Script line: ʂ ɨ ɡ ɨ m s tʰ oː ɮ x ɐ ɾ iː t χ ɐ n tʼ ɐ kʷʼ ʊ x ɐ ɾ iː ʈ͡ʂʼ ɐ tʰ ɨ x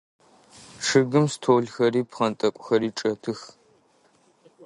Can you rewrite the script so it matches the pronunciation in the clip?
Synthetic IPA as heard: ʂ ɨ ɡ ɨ m s tʰ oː ɮ x ɐ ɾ iː p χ ɐ n tʼ ɐ kʷʼ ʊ x ɐ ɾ iː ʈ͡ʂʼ ɐ tʰ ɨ x